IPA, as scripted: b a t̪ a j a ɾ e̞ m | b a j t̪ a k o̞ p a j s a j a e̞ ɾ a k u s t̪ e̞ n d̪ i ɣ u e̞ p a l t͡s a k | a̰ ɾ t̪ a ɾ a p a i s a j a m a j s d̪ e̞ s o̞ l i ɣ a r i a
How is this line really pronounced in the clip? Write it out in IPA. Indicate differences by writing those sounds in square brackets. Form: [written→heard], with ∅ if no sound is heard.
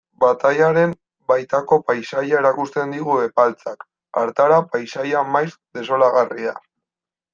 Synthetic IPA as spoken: b a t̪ a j a ɾ e̞ m | b a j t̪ a k o̞ p a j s a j a e̞ ɾ a k u s t̪ e̞ n d̪ i ɣ u e̞ p a l t͡s a k | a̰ ɾ t̪ a ɾ a p a [i→j] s a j a m a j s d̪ e̞ s o̞ l [i→a] ɣ a r i a